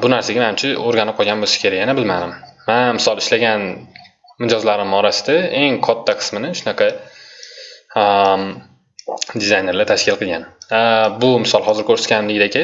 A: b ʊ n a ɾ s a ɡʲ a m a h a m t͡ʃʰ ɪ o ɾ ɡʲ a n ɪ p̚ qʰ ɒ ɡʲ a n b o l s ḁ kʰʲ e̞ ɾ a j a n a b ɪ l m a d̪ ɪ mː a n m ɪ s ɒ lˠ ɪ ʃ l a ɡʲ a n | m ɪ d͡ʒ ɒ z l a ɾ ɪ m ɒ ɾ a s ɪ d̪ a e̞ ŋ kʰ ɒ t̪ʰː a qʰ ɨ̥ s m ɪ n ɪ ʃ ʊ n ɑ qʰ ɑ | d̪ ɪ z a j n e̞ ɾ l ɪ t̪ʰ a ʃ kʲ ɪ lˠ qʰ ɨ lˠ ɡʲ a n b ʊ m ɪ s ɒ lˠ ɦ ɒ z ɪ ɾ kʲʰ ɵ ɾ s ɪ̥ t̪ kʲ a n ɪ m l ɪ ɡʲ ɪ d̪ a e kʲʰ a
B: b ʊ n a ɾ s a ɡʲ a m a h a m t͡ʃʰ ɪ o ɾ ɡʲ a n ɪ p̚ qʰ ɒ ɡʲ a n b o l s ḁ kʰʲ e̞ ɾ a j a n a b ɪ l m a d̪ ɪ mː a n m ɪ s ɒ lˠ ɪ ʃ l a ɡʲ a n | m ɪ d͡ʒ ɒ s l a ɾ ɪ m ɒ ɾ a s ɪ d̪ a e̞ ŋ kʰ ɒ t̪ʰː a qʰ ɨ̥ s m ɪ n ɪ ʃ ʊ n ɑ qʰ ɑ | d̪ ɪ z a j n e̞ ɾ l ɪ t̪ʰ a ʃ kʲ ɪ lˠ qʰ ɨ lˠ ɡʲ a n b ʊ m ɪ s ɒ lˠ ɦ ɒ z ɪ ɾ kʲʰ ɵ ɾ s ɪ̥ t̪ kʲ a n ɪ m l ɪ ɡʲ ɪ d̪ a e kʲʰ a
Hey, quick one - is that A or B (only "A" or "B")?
A